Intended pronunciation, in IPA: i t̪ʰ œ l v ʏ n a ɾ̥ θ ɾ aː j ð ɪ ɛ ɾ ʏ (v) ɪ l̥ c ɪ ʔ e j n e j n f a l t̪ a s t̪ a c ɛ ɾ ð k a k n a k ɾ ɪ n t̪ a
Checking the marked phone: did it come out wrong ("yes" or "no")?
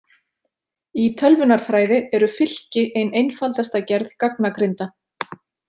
yes